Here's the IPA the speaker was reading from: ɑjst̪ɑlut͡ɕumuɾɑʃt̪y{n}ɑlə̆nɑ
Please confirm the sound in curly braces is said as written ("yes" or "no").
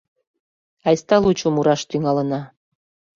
no